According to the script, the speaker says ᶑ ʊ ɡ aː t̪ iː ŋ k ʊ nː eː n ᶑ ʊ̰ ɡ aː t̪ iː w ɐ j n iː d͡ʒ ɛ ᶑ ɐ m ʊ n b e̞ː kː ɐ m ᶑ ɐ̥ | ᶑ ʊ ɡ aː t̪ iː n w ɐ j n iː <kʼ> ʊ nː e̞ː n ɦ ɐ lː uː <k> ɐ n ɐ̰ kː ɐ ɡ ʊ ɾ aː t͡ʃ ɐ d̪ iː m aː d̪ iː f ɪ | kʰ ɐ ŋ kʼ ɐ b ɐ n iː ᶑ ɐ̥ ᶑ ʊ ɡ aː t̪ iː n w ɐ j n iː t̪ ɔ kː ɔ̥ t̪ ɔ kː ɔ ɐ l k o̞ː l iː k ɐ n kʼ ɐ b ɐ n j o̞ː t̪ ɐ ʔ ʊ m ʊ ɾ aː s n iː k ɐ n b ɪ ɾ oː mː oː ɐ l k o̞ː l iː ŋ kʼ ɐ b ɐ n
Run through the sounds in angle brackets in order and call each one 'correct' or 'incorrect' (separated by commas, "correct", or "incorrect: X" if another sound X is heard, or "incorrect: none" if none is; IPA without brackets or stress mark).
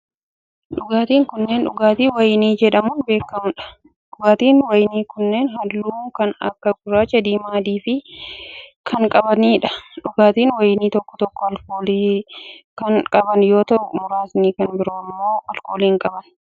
incorrect: k, correct